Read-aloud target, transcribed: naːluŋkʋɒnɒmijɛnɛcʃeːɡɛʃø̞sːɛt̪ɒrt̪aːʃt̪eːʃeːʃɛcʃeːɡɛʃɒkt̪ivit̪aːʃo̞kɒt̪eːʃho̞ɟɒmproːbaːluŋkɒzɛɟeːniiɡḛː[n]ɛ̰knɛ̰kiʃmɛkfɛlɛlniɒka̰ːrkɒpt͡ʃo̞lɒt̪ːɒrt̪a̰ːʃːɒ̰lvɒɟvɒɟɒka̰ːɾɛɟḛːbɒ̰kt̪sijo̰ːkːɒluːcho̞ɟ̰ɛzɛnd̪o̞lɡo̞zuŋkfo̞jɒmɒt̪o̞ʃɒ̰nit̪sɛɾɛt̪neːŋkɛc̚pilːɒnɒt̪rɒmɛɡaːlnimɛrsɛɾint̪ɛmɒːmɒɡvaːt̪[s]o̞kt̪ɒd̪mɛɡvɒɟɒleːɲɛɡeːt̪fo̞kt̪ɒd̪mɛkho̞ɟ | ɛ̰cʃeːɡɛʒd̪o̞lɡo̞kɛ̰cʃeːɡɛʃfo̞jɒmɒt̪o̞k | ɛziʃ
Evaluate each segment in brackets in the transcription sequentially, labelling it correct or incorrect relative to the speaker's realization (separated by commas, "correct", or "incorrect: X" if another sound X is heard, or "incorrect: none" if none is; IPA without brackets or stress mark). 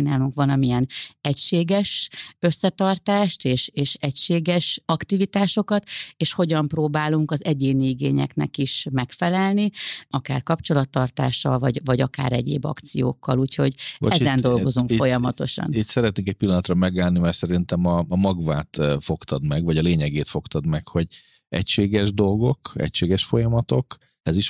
incorrect: ɲ, incorrect: f